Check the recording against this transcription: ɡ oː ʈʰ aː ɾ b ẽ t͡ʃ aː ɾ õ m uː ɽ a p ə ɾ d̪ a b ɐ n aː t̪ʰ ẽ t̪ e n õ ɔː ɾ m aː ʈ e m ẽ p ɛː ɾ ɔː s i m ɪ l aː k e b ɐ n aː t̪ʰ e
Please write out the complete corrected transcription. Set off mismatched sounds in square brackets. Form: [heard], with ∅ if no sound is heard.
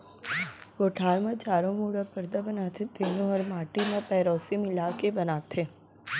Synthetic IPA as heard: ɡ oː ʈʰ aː ɾ [m] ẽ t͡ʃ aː ɾ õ m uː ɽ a p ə ɾ d̪ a b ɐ n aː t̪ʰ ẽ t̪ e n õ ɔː ɾ m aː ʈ [i] m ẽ p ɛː ɾ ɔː s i m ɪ l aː k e b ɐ n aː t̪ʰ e